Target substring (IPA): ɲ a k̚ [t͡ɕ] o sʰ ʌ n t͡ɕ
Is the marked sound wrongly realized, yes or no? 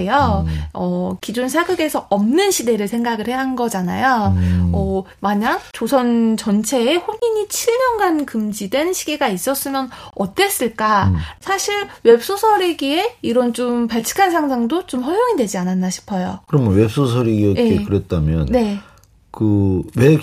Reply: no